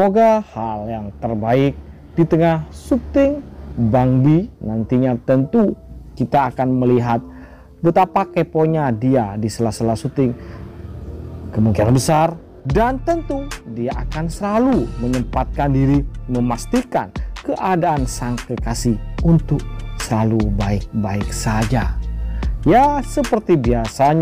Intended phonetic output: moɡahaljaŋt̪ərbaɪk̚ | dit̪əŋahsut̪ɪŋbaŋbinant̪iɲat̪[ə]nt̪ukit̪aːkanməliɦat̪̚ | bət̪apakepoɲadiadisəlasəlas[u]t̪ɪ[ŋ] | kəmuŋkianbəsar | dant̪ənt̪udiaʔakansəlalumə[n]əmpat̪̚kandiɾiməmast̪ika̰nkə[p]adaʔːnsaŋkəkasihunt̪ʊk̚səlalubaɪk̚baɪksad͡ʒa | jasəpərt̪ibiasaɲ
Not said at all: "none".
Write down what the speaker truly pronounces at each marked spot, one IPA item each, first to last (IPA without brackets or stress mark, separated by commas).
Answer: ə, u, ŋ, ɲ, ʔ